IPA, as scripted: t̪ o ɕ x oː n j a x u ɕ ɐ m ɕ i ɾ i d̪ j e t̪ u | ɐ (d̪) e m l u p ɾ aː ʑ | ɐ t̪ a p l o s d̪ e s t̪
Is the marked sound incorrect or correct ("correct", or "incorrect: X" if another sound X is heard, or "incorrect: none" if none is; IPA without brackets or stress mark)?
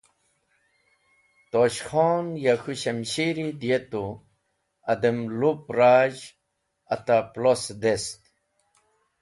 correct